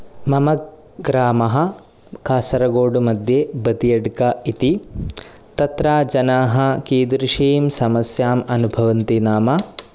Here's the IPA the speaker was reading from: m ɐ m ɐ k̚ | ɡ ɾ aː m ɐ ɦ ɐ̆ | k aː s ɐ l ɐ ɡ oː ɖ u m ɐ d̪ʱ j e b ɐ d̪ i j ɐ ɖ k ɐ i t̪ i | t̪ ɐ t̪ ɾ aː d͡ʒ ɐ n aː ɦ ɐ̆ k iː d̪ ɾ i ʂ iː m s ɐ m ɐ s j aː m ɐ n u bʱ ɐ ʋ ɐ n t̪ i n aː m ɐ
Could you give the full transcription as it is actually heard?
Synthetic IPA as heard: m ɐ m ɐ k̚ | ɡ ɾ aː m ɐ ɦ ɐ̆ | k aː s ɐ ɾ ɐ ɡ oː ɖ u m ɐ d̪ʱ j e b ɐ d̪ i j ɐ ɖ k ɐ i t̪ i | t̪ ɐ t̪ ɾ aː d͡ʒ ɐ n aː ɦ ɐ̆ k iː d̪ ɾ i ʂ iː m s ɐ m ɐ s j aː m ɐ n u bʱ ɐ ʋ ɐ n t̪ i n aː m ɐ